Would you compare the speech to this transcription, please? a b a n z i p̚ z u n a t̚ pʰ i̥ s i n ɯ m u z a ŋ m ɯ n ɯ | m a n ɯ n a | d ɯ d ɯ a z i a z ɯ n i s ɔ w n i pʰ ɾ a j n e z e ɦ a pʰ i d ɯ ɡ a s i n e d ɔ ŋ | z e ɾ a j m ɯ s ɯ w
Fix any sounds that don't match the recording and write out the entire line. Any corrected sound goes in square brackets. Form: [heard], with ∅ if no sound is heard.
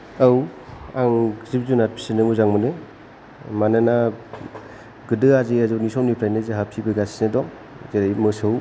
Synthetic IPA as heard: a [w] a [ŋ] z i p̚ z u n a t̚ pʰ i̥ s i n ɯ m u z a ŋ m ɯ n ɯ | m a n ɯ n a | [ɡ] ɯ d ɯ a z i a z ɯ n i s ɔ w n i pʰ ɾ a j n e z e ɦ a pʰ i [b] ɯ ɡ a s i n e d ɔ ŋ | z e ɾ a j m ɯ s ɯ w